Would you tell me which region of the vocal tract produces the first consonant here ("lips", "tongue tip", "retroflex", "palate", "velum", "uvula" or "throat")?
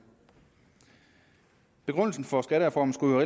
lips